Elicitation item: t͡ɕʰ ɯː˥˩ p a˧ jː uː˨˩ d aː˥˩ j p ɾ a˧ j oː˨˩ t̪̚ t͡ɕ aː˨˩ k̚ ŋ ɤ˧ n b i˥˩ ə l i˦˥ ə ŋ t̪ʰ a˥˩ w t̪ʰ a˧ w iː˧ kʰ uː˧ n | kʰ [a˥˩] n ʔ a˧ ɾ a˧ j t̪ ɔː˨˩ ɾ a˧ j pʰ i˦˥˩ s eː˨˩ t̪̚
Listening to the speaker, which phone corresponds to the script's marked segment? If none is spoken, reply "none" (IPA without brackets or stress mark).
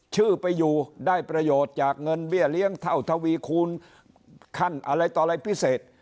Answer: a˥˩